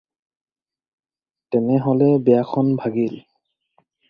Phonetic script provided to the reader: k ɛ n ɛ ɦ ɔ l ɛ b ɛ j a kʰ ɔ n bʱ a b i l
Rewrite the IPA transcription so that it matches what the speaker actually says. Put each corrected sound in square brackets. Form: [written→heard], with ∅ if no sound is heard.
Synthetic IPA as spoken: [k→t] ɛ n ɛ ɦ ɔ l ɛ b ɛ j a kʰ ɔ n bʱ a [b→ɡ] i l